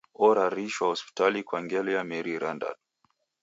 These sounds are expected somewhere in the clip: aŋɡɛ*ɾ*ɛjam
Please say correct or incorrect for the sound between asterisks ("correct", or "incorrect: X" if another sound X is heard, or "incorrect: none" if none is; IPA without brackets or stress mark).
incorrect: l